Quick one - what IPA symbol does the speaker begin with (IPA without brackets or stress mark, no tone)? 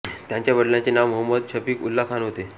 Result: t̪